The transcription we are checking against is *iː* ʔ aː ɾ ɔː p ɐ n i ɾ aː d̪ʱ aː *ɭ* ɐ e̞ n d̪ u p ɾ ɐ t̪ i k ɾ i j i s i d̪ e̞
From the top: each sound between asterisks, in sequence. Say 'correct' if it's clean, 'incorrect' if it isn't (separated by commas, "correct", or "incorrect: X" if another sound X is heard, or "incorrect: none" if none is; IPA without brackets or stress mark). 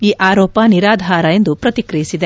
correct, incorrect: ɾ